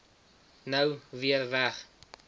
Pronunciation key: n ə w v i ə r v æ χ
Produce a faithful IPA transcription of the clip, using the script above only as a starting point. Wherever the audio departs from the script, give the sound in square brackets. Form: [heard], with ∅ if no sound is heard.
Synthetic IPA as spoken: n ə w v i ə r v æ χ